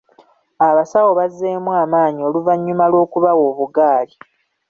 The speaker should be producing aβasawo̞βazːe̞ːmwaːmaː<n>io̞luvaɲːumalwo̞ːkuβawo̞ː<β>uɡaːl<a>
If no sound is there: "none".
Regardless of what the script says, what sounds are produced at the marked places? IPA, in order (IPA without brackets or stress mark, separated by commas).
ɲ, β, i